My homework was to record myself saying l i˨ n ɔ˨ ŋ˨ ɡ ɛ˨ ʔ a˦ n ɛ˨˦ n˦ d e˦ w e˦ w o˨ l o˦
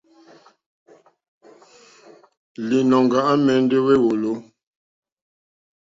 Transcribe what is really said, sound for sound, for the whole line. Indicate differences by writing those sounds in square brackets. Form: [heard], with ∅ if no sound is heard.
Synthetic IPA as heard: l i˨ n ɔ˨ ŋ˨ ɡ [a˨] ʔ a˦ [m] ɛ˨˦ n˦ d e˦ w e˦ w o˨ l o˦